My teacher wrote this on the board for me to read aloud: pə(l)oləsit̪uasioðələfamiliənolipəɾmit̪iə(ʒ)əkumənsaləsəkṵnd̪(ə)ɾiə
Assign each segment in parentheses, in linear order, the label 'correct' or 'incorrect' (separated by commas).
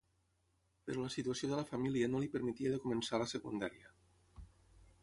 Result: incorrect, incorrect, incorrect